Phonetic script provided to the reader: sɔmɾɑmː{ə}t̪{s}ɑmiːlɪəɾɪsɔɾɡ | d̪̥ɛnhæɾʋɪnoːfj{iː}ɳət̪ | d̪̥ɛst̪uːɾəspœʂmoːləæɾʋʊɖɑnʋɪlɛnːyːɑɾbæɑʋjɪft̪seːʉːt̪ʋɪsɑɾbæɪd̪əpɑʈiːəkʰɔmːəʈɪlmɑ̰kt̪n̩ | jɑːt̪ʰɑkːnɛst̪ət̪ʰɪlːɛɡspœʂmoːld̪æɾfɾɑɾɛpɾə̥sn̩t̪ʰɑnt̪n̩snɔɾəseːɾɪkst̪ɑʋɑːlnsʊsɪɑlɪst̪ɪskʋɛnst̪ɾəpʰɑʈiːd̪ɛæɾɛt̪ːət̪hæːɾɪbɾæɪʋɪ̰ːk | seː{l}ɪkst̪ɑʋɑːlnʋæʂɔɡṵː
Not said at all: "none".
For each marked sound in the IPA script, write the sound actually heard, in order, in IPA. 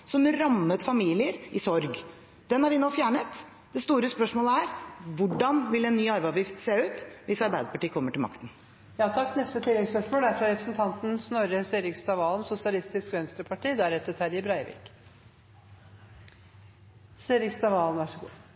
ə, f, æː, ɾ

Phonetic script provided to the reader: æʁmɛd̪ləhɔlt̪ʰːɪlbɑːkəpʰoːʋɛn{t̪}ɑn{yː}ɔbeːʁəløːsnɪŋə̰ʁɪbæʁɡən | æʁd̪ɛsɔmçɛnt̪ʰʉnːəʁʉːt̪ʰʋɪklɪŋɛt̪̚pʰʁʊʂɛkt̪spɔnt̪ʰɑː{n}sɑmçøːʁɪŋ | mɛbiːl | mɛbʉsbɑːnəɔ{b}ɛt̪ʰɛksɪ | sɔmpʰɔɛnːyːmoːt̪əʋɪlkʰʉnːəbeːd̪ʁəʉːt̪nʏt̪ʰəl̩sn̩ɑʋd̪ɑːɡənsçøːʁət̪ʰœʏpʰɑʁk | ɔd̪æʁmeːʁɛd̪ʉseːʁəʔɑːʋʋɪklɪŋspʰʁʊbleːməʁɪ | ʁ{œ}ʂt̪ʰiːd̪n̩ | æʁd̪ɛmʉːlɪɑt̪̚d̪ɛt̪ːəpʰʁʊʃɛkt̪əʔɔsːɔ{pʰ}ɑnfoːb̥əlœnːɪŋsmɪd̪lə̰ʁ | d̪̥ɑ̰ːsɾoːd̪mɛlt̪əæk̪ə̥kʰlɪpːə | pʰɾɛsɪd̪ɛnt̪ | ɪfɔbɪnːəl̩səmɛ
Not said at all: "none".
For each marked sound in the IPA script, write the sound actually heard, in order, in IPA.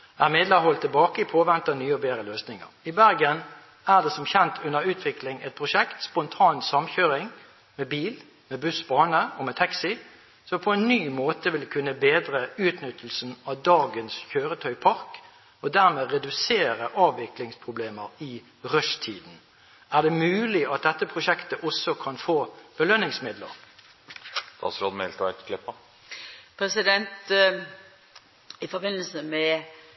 t̪, yː, n, m, œ, kʰ

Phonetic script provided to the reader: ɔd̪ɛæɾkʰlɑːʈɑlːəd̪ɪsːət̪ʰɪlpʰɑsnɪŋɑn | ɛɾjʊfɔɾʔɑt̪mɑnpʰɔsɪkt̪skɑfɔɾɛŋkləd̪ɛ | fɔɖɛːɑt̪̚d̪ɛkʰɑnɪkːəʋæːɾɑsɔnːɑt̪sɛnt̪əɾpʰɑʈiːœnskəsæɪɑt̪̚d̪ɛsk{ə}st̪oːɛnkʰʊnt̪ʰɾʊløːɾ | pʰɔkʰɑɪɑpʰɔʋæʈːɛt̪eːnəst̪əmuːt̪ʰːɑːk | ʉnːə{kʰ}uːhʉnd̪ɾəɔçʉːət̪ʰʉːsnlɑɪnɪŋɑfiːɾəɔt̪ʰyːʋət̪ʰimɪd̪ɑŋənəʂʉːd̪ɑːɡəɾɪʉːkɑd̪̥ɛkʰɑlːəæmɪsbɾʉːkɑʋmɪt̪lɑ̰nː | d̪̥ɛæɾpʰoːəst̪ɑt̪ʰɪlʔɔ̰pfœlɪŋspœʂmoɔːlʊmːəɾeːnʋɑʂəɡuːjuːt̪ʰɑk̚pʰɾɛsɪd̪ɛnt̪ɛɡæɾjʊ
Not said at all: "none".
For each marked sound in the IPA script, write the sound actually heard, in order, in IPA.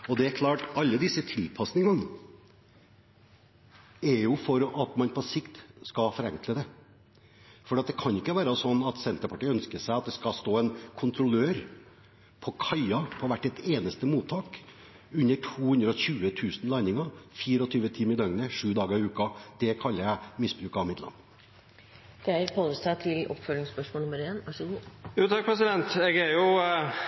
ɑ, ʈʰ

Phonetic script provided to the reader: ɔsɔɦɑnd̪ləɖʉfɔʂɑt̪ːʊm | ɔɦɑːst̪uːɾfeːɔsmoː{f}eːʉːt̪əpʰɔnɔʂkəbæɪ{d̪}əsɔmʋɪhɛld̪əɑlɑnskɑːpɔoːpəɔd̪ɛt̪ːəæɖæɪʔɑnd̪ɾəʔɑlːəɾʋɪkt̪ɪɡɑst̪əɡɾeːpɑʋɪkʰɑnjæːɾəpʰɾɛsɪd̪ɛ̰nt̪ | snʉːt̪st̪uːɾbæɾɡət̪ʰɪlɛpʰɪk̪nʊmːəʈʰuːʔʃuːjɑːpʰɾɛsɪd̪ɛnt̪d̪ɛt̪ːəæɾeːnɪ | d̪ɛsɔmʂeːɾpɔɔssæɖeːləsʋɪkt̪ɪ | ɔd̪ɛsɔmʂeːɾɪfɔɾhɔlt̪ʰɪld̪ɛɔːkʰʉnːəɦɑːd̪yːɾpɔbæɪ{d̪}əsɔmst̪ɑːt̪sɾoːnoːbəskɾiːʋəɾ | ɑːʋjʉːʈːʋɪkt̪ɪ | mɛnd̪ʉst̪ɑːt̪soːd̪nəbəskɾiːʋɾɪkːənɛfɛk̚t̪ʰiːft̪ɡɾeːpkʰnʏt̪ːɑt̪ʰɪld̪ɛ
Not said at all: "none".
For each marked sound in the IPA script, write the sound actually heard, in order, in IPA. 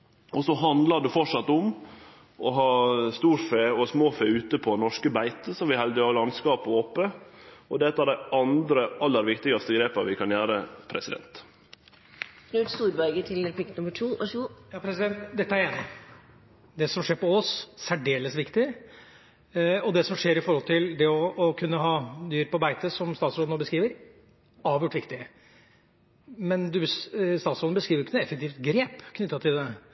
f, t̪, t̪

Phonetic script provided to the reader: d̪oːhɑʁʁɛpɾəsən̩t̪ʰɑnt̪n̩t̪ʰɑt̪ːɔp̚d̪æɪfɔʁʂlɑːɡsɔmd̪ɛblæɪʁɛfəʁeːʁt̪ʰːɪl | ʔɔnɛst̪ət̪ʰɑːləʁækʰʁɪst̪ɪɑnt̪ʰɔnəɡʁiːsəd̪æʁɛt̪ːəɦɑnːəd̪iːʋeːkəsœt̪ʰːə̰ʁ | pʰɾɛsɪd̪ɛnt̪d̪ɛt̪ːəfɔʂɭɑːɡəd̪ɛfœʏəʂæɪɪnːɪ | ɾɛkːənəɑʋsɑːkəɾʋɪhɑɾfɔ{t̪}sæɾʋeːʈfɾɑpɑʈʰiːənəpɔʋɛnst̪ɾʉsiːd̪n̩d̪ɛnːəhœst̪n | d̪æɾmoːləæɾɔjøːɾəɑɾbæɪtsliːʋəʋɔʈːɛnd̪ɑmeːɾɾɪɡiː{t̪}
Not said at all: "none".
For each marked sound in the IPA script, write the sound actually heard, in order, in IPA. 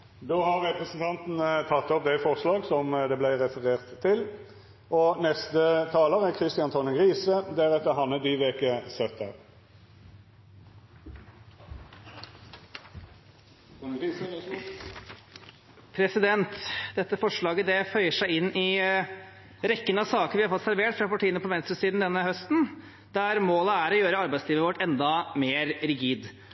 t̪, d̪

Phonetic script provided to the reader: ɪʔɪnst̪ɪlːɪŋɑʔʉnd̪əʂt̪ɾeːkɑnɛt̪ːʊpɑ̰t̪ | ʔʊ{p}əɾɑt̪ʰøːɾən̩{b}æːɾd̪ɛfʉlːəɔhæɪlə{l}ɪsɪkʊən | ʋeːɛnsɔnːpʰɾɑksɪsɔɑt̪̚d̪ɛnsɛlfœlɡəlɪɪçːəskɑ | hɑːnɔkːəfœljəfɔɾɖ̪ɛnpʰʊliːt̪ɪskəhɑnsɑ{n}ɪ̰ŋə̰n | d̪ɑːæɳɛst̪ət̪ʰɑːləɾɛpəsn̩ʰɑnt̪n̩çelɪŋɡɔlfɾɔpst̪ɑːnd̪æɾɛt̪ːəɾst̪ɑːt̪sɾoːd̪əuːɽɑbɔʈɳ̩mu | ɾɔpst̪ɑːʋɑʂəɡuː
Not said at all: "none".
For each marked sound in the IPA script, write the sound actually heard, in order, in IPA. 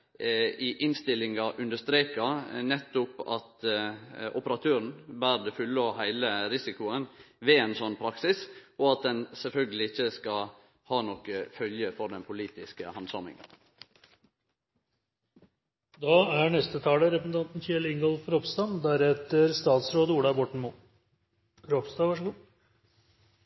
p, b, ɾ, m

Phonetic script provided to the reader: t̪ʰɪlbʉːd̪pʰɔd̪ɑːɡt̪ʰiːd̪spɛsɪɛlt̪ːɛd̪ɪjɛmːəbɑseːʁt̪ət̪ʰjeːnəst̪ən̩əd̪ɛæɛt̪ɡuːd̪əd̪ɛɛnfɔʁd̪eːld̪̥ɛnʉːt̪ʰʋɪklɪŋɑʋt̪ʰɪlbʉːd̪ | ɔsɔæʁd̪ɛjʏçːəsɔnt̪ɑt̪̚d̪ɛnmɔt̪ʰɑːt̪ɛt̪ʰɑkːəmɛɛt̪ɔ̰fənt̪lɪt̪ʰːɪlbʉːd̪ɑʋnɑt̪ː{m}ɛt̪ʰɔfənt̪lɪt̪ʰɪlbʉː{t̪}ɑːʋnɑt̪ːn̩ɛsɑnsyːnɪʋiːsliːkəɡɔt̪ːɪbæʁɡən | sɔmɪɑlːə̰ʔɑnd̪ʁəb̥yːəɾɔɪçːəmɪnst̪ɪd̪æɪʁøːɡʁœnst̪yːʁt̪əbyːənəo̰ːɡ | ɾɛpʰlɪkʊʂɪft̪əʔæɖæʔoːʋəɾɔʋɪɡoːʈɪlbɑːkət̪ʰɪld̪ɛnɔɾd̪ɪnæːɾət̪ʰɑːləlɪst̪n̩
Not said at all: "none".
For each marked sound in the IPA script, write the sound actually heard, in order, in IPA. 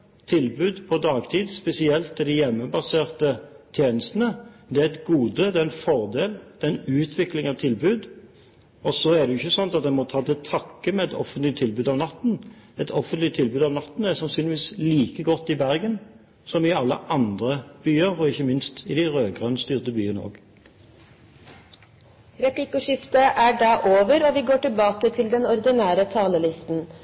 n, d̪

